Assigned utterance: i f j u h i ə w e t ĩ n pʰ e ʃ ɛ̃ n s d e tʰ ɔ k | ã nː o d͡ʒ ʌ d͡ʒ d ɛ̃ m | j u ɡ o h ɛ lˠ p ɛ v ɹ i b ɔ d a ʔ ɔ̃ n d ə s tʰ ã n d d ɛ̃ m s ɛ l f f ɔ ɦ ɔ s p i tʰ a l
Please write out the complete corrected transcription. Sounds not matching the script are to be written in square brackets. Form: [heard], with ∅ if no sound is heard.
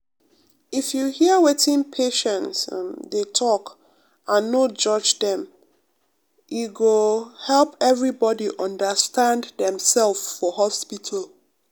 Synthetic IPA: i f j u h i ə w e t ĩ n pʰ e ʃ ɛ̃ n s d e tʰ ɔ k | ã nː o d͡ʒ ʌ d͡ʒ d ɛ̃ m | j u ɡ o h ɛ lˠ p ɛ v ɹ i b ɔ d [i] ʔ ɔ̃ n d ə s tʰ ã n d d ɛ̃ m s ɛ l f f ɔ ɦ ɔ s p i tʰ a l